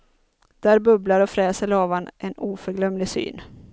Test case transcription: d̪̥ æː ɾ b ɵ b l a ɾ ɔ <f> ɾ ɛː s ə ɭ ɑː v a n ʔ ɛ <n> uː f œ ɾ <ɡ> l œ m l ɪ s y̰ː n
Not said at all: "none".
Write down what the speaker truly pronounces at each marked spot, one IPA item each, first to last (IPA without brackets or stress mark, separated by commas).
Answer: f, n, ɡ